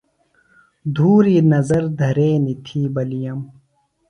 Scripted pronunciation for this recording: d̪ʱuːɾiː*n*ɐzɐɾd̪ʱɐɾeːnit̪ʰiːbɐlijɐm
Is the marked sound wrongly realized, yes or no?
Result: no